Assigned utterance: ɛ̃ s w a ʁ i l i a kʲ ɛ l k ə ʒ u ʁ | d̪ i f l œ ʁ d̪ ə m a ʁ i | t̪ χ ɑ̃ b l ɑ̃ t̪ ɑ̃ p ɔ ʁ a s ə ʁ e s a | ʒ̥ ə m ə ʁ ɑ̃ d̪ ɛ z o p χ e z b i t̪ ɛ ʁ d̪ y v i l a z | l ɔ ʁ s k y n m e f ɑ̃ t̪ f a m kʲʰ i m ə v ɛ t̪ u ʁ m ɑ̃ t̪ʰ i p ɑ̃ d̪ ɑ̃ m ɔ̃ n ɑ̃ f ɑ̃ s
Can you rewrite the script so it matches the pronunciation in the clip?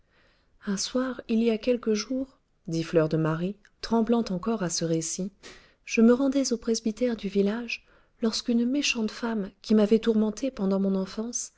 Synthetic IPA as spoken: ɛ̃ s w a ʁ i l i a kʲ ɛ l k ə ʒ u ʁ | d̪ i f l œ ʁ d̪ ə m a ʁ i | t̪ χ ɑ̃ b l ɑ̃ t̪ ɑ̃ k ɔ ʁ a s ə ʁ e s i | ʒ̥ ə m ə ʁ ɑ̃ d̪ ɛ z o p χ e z b i t̪ ɛ ʁ d̪ y v i l a ʒ | l ɔ ʁ s k y n m e ʃ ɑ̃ t̪ f a m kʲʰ i m a v ɛ t̪ u ʁ m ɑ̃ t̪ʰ e p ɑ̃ d̪ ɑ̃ m ɔ̃ n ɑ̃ f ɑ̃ s